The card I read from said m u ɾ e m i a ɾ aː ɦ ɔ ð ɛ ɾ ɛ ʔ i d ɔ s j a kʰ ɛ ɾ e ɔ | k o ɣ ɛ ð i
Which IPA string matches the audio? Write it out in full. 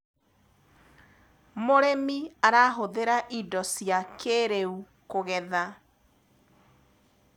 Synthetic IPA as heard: m o ɾ e m i a ɾ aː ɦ o ð e ɾ a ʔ i d ɔ s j a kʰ e ɾ e u | k o ɣ ɛ ð a